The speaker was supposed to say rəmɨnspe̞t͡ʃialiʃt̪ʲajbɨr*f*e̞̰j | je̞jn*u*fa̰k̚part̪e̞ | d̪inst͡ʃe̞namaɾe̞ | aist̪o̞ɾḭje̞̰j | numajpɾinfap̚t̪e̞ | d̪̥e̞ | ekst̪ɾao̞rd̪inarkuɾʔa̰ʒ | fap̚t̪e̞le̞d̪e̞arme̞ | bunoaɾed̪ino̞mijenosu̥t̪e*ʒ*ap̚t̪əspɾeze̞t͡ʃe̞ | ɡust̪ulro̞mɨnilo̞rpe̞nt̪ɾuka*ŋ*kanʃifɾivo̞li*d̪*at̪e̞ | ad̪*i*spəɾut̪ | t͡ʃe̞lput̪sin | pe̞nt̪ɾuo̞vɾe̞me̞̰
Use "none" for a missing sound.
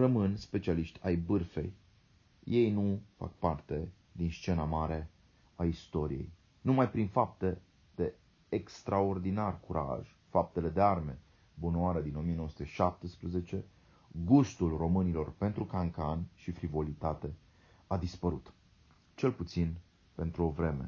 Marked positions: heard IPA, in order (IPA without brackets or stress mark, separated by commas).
f, u, ʃ, ŋ, t̪, i